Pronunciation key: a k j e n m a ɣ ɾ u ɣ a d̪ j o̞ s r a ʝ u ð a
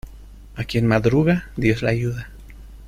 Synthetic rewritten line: a k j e n m a ð ɾ u ɣ a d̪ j o̞ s l a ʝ u ð a